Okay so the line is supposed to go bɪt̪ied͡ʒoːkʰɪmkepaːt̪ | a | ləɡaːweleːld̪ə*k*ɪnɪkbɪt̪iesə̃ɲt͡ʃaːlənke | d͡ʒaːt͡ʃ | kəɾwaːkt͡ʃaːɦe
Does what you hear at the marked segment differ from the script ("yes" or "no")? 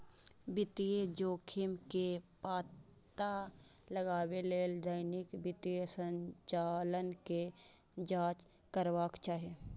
yes